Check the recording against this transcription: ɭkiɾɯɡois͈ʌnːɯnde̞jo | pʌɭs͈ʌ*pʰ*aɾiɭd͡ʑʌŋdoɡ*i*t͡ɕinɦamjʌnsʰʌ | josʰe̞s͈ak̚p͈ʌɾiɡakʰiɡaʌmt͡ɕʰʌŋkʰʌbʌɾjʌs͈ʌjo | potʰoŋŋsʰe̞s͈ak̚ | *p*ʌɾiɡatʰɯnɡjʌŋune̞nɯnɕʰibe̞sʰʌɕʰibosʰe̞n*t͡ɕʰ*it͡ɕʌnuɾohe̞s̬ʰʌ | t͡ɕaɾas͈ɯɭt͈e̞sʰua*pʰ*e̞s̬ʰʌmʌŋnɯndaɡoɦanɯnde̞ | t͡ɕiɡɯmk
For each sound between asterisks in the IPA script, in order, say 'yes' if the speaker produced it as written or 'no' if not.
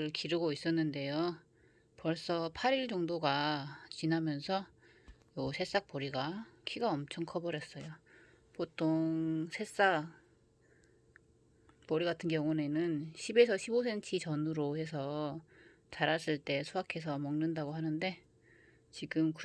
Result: yes, no, yes, yes, no

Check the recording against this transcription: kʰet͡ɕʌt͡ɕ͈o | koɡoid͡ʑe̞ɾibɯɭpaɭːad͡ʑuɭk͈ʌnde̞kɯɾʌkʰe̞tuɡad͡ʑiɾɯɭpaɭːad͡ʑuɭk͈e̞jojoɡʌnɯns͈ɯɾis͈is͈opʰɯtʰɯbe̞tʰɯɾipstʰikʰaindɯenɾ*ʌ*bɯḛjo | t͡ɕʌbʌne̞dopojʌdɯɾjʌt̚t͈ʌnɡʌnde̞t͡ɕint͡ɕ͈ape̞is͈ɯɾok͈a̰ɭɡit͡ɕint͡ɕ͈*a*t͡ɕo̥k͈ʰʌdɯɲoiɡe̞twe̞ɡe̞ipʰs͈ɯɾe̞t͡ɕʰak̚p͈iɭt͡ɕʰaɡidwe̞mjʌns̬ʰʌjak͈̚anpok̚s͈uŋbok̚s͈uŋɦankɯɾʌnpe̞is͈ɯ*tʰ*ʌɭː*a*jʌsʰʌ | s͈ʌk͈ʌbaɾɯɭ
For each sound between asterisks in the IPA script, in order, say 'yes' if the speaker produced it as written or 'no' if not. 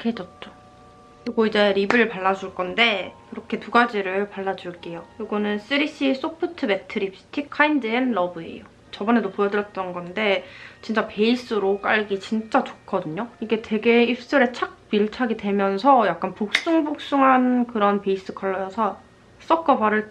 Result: yes, yes, no, no

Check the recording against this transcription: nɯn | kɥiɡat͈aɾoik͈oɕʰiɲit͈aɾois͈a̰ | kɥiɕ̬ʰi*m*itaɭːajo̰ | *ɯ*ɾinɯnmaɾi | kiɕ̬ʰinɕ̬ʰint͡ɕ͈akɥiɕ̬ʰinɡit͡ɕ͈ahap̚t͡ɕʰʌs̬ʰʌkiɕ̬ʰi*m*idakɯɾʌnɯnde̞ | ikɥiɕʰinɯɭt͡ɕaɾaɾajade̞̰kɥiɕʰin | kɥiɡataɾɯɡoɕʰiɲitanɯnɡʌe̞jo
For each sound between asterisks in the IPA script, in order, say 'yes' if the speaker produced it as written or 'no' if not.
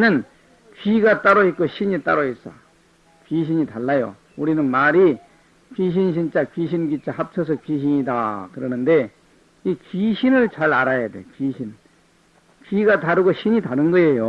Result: no, no, no

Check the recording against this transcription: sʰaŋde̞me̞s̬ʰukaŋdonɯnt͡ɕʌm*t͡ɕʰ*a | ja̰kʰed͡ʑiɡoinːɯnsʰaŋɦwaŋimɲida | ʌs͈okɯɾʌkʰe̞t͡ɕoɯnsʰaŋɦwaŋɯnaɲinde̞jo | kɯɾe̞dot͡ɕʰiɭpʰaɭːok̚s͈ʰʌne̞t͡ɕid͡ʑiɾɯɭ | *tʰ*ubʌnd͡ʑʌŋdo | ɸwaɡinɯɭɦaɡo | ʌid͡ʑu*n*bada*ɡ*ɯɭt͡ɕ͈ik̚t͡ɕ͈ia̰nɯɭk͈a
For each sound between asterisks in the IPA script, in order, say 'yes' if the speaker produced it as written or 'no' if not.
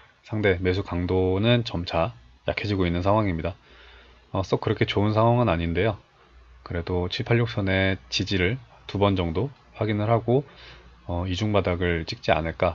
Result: yes, no, no, yes

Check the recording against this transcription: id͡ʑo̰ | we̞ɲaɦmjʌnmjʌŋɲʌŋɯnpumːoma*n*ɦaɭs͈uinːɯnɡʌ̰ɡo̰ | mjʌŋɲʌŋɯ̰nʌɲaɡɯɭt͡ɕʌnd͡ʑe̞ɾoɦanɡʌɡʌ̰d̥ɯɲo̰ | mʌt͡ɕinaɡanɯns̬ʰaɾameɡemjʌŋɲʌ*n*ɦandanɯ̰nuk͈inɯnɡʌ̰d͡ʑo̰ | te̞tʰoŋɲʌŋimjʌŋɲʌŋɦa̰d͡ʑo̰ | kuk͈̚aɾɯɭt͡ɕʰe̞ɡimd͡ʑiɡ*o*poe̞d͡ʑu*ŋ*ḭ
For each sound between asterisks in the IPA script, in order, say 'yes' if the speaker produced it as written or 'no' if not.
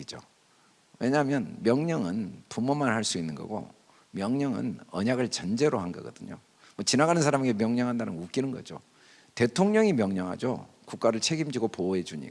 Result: yes, no, yes, no

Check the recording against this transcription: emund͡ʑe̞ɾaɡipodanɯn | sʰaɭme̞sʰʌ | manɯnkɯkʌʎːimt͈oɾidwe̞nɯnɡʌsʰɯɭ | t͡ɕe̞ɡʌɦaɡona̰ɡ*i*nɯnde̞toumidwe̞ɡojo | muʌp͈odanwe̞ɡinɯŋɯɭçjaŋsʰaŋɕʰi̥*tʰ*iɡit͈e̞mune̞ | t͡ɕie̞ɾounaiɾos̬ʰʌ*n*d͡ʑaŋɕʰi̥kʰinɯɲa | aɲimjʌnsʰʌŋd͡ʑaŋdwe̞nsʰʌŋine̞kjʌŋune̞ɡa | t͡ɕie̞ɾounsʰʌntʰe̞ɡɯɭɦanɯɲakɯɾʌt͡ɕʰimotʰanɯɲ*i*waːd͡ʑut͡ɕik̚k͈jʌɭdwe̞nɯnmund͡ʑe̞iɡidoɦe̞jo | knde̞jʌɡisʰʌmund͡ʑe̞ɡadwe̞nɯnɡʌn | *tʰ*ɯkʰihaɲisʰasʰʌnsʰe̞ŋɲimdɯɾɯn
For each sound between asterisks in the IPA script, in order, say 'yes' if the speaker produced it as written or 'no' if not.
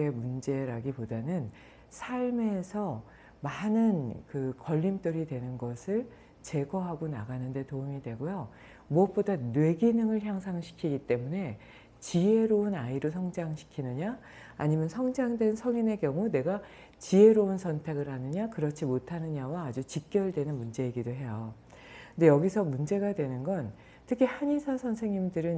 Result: no, no, no, no, yes

